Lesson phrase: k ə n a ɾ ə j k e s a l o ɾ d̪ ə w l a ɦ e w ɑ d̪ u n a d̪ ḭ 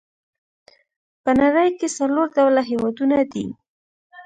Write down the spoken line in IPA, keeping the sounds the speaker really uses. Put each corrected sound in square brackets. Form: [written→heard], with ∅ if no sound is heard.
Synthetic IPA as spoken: [k→p] ə n a ɾ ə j k e s a l o ɾ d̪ [ə→a] w l a ɦ e w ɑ d̪ u n a d̪ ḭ